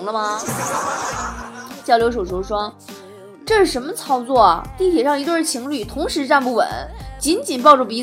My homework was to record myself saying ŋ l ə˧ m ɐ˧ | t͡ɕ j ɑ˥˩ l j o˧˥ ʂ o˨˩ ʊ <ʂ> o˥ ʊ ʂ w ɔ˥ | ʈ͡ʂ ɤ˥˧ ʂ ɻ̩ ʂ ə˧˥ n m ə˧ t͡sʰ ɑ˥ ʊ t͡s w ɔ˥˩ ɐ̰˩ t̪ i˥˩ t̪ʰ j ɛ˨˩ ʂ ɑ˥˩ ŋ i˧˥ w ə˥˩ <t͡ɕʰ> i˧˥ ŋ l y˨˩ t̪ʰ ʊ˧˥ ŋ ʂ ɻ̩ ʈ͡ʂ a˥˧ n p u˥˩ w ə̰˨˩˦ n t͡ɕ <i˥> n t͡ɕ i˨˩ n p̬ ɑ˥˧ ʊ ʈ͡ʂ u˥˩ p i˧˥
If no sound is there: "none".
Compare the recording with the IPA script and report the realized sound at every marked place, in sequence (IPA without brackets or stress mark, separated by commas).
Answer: ʂ, t͡ɕʰ, i˧˥